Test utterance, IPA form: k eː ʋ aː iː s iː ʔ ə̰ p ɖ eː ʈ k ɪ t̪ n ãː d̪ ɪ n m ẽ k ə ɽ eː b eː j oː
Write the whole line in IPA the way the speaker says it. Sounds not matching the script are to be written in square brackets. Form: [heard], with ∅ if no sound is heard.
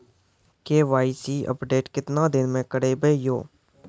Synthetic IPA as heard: k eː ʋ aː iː s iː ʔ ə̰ p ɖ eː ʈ k ɪ t̪ n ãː d̪ ɪ n m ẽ k ə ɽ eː b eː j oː

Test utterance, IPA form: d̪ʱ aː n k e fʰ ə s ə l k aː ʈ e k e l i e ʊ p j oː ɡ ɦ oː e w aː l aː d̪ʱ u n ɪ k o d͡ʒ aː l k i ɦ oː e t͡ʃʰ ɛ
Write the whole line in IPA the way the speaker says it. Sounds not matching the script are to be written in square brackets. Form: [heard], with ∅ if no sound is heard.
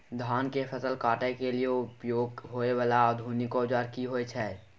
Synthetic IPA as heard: d̪ʱ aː n k e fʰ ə s ə l k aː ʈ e k e l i e ʊ p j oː ɡ ɦ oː e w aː l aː d̪ʱ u n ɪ k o d͡ʒ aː [ɾ] k i ɦ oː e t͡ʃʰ ɛ

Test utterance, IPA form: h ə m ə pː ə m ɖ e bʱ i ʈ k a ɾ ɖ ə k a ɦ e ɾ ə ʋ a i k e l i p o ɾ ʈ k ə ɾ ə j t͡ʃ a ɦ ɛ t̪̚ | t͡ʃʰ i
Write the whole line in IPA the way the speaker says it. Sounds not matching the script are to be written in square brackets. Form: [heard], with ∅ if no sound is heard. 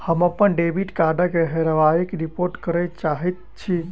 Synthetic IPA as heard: h ə m ə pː ə [n] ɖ e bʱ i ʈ k a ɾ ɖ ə k [e] ɦ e ɾ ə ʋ a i k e [ɾ] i p o ɾ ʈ k ə ɾ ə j t͡ʃ a ɦ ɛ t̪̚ | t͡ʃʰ i

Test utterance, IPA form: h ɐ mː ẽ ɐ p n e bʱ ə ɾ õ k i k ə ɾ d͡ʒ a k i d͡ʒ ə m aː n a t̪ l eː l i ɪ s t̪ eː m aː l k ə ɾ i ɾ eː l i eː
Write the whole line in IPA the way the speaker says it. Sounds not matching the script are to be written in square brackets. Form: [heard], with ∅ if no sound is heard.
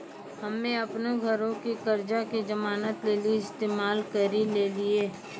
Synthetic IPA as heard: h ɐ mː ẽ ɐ p n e [ɡʱ] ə ɾ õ k i k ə ɾ d͡ʒ a k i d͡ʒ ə m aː n [ə] t̪ l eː l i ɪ s t̪ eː m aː l k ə ɾ i [l] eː l i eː

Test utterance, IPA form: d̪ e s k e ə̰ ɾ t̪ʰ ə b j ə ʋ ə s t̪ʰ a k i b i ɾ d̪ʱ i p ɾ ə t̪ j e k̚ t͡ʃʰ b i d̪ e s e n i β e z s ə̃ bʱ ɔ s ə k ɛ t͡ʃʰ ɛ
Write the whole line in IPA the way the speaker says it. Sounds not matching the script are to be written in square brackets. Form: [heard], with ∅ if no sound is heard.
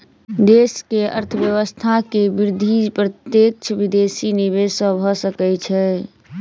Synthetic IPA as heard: d̪ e s k e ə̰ ɾ t̪ʰ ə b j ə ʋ ə s t̪ʰ a k [e] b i ɾ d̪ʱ i p ɾ ə t̪ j e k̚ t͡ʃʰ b i d̪ e s [i] n i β e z s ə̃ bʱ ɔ s ə k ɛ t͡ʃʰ ɛ

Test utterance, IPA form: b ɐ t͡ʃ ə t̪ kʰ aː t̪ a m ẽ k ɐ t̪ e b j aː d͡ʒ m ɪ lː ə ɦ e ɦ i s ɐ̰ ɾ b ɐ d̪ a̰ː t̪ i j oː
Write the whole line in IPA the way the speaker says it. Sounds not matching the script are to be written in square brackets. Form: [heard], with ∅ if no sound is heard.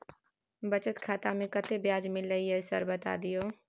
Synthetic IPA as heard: b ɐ t͡ʃ ə t̪ kʰ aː t̪ a m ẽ k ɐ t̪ e b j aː d͡ʒ m ɪ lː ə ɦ [i] ɦ [ɛ] s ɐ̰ ɾ b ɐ [t̪] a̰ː [d̪] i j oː

